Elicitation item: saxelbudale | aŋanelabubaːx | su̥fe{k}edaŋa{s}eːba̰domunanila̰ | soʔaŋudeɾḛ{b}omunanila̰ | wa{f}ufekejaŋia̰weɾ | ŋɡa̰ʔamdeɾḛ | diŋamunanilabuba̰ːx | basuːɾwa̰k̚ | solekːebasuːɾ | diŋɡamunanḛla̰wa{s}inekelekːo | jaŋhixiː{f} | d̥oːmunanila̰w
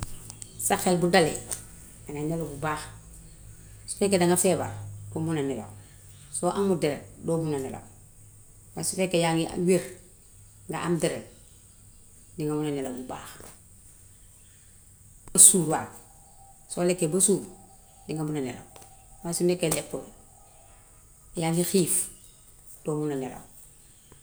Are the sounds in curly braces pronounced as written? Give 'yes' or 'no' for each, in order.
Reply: yes, no, no, no, yes, yes

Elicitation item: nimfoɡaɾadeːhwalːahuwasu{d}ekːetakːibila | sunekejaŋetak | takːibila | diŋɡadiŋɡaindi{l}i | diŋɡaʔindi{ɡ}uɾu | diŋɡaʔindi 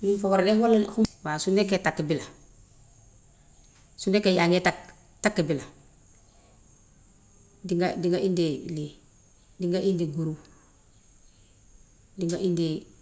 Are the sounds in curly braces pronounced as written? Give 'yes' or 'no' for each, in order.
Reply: no, yes, yes

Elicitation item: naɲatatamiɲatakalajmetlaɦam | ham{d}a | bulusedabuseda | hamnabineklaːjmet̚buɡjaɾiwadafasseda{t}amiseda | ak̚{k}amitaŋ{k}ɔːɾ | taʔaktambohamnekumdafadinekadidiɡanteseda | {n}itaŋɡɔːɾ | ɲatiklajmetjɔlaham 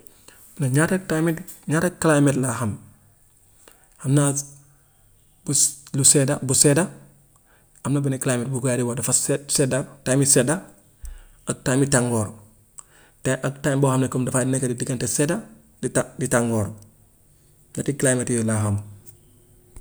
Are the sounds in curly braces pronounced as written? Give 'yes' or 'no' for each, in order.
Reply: no, yes, no, no, no

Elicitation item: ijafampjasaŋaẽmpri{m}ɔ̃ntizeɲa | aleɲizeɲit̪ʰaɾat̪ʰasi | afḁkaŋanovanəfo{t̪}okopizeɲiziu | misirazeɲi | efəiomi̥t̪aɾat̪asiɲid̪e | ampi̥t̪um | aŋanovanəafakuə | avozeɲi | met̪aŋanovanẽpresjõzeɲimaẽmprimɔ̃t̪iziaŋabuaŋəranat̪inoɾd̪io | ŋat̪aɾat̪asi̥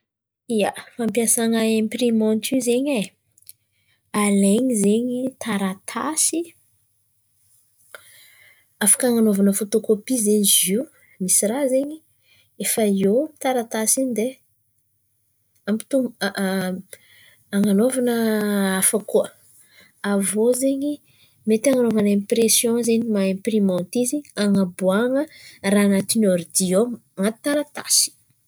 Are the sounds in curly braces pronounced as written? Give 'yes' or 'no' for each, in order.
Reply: yes, yes

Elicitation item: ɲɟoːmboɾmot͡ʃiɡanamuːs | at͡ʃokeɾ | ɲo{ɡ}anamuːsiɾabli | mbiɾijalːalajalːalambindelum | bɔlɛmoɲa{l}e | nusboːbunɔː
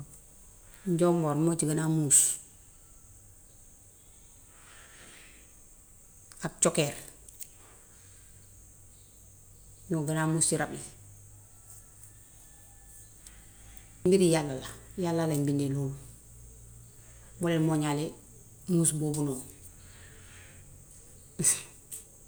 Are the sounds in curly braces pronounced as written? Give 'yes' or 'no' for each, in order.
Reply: yes, yes

